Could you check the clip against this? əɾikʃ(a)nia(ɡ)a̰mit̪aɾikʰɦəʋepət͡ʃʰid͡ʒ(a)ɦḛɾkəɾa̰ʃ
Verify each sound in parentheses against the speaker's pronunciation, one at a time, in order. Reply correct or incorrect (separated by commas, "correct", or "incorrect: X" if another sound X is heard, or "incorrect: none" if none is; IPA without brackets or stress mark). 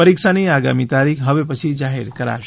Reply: correct, correct, correct